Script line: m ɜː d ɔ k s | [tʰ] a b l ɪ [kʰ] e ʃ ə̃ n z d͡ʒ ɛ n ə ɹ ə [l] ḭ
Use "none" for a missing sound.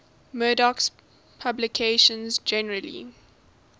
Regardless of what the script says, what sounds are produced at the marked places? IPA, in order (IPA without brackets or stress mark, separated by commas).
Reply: pʰ, kʰ, l